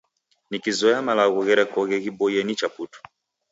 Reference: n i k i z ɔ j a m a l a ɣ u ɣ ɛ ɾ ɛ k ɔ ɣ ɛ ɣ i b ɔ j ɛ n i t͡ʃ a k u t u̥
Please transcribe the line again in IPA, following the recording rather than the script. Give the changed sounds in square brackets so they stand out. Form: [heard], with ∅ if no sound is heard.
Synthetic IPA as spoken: n i k i z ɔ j a m a l a ɣ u ɣ ɛ ɾ ɛ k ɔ ɣ ɛ ɣ i b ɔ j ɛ n i t͡ʃ a [p] u t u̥